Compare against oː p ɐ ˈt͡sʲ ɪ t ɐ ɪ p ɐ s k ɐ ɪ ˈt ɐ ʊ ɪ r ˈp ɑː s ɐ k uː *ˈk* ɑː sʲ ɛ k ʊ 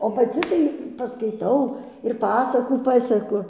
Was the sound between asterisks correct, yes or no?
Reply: no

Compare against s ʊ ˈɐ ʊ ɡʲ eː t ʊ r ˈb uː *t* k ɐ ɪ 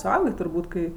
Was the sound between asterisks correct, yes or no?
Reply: yes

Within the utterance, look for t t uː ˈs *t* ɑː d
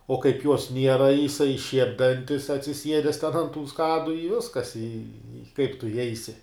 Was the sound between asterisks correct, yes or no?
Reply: no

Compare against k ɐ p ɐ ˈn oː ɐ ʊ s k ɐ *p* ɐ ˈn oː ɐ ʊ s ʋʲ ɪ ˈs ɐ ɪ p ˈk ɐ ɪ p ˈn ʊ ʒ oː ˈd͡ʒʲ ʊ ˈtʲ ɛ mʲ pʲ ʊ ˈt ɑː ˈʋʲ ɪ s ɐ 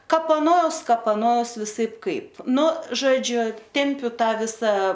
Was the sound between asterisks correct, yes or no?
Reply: yes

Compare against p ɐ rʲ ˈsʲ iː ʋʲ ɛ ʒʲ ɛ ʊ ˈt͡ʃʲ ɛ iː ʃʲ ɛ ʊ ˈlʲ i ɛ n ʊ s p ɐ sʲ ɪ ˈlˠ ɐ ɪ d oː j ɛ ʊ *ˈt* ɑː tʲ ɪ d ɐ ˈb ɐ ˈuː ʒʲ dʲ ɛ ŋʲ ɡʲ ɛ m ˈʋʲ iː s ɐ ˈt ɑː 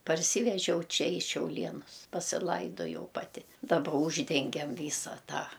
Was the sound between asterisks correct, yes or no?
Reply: no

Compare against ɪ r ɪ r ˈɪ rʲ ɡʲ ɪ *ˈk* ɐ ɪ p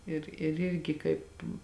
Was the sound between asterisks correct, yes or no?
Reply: yes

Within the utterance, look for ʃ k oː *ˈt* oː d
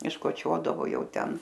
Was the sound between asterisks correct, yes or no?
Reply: no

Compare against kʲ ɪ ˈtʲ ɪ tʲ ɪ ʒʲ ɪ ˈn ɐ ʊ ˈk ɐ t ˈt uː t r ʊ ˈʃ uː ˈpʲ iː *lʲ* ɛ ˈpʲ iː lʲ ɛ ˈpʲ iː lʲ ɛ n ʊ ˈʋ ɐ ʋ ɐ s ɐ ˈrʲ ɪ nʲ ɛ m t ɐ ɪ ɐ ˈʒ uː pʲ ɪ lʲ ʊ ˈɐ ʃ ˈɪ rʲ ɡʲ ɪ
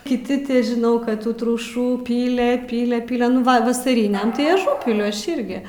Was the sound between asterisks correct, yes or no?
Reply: yes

